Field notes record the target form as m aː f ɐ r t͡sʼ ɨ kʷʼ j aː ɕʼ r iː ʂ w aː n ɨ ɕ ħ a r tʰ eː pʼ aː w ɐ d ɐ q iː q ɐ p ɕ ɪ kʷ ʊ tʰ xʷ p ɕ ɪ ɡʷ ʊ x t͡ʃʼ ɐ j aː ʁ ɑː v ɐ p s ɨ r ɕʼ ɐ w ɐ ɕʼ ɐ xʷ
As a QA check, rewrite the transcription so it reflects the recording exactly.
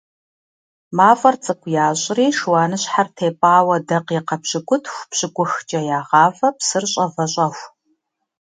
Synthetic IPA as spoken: m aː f ɐ r t͡sʼ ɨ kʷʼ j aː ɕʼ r iː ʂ w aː n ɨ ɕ ħ a r tʰ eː pʼ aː w ɐ d ɐ q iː q ɐ p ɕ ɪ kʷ ʊ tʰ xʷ p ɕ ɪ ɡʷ ʊ x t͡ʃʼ ɐ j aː ʁ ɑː v ɐ p s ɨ r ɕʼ ɐ v ɐ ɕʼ ɐ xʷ